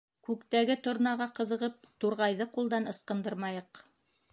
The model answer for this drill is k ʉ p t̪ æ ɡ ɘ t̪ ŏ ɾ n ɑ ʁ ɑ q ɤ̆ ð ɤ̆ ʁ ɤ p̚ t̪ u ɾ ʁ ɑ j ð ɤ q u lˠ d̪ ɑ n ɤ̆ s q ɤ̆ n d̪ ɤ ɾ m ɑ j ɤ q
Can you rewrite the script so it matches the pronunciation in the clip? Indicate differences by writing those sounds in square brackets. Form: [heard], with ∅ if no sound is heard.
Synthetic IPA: k ʉ [k] t̪ æ ɡ ɘ t̪ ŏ ɾ n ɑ ʁ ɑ q ɤ̆ ð ɤ̆ ʁ ɤ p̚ t̪ u ɾ ʁ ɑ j ð ɤ q u lˠ d̪ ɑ n ɤ̆ s q ɤ̆ n d̪ ɤ ɾ m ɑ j ɤ q